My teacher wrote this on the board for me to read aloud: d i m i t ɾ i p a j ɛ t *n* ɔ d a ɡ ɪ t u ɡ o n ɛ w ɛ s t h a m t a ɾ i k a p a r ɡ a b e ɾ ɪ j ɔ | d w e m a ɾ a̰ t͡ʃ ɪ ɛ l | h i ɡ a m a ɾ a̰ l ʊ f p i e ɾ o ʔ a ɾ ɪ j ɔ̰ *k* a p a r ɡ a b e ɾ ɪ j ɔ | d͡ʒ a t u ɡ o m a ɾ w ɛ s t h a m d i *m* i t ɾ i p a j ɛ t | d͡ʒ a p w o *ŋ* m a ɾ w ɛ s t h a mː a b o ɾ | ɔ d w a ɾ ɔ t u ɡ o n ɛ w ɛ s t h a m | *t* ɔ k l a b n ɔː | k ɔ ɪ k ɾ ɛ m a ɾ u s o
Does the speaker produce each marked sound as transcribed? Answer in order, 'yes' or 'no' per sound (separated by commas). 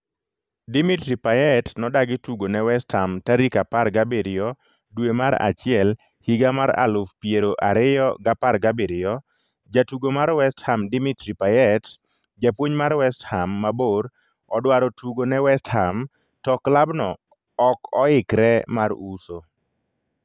yes, no, yes, no, yes